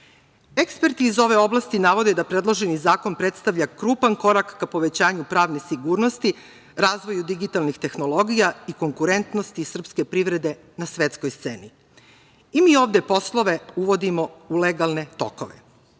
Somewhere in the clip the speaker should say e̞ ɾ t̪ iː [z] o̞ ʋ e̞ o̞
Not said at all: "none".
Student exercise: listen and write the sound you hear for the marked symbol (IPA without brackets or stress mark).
z